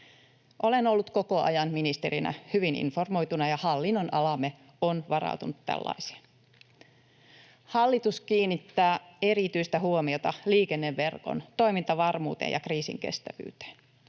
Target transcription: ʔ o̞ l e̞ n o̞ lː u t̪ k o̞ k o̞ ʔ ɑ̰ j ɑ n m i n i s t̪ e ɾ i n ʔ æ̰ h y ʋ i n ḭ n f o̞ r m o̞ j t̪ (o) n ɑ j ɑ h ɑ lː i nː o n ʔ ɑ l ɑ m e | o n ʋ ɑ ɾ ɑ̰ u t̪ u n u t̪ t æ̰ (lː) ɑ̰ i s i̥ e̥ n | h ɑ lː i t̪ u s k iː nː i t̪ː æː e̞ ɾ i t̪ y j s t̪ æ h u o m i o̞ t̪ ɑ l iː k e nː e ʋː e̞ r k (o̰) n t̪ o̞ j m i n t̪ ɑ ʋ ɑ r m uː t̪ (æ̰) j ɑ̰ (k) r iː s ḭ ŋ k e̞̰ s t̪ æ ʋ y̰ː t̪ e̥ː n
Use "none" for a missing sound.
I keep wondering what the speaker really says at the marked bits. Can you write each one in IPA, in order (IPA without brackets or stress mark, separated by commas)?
u, lː, o̰, ḛ, k